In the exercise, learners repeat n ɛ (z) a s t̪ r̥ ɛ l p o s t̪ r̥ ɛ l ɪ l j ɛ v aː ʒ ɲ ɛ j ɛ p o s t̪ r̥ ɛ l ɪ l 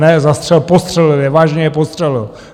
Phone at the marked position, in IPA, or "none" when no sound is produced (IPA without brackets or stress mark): z